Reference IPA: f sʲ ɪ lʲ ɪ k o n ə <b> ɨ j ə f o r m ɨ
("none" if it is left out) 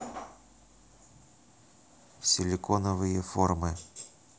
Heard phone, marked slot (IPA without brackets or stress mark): v